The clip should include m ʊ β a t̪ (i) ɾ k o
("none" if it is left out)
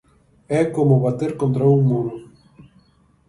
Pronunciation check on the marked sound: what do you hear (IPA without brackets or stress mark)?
e